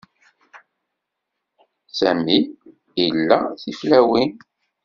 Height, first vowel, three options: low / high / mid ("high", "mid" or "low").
low